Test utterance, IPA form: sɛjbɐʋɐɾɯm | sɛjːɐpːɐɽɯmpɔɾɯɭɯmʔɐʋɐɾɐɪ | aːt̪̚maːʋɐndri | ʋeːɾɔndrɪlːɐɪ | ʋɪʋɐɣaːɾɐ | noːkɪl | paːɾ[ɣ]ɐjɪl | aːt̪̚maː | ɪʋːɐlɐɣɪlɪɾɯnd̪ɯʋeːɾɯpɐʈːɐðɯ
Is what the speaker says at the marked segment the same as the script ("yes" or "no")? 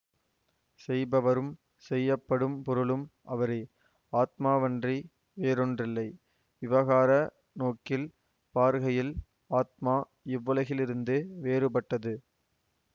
yes